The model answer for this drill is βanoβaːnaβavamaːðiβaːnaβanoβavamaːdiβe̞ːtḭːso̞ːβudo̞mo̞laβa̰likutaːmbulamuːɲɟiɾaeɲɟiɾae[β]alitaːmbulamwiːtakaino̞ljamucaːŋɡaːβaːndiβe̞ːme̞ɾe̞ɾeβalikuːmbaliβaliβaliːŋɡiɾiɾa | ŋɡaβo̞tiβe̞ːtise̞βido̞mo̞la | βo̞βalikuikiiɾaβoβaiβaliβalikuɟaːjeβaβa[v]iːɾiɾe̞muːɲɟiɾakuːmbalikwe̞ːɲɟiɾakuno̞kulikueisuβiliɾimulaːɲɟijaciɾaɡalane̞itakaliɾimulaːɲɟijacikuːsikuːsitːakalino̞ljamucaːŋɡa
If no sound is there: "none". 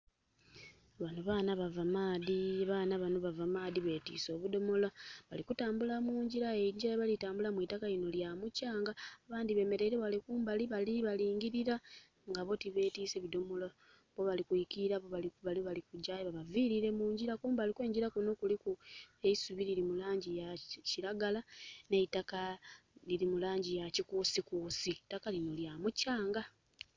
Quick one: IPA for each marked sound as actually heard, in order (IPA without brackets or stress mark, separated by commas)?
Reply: β, v